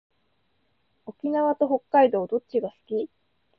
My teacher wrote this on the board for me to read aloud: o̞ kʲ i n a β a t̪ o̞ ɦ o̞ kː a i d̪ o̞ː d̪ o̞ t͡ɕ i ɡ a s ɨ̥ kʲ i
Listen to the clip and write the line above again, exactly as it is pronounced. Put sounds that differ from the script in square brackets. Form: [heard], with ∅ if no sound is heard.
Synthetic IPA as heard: o̞ kʲ i n a β a t̪ o̞ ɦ o̞ kː a i d̪ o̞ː d̪ o̞ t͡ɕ i ɡ a s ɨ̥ kʲ i

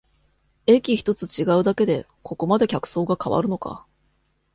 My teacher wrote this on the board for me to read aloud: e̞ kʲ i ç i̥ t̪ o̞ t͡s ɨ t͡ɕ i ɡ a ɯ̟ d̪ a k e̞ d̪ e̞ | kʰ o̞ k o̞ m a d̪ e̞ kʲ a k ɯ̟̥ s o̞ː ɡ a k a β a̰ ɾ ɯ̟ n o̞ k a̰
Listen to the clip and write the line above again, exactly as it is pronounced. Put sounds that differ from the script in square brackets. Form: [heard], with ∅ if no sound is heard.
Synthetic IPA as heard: e̞ kʲ i ç i̥ t̪ o̞ t͡s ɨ t͡ɕ i ɡ a ɯ̟ d̪ a k e̞ d̪ e̞ | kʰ o̞ k o̞ m a d̪ e̞ kʲ a k ɯ̟̥ s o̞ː ɡ a k a β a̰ ɾ ɯ̟ n o̞ k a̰

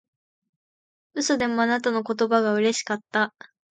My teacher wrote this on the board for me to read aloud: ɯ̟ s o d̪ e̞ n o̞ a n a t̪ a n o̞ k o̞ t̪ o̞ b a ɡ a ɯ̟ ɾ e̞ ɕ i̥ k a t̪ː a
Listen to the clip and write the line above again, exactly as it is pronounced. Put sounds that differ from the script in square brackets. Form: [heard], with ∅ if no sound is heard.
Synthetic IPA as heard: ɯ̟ s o d̪ e̞ [m] o̞ a n a t̪ a n o̞ k o̞ t̪ o̞ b a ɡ a ɯ̟ ɾ e̞ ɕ i̥ k a t̪ː a

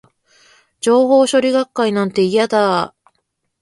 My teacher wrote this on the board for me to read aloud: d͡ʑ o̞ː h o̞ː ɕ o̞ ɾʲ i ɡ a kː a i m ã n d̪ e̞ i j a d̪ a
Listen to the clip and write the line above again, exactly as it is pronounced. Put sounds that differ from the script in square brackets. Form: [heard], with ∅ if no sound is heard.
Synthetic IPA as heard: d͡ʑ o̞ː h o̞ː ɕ o̞ ɾʲ i ɡ a kː a i [n] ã n [t̪] e̞ i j a d̪ a

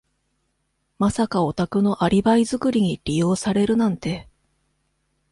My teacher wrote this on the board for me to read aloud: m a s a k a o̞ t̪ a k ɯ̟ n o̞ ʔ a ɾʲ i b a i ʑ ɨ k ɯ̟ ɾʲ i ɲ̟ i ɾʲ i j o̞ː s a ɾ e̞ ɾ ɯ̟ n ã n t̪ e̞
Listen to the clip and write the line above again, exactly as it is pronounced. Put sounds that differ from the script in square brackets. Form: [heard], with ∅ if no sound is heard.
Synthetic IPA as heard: m a s a k a o̞ t̪ a k ɯ̟ n o̞ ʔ a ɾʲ i b a i [z] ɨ k ɯ̟ ɾʲ i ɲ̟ i ɾʲ i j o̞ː s a ɾ e̞ ɾ ɯ̟ n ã n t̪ e̞

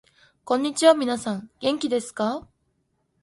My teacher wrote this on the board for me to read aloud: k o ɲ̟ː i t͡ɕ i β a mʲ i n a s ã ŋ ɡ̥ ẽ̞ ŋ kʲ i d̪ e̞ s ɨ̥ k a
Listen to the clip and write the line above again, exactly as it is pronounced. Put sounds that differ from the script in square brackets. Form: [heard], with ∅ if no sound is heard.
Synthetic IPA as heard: k [õ] ɲ̟ː i t͡ɕ i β a mʲ i n a s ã ŋ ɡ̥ ẽ̞ ŋ kʲ i d̪ e̞ s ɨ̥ k a

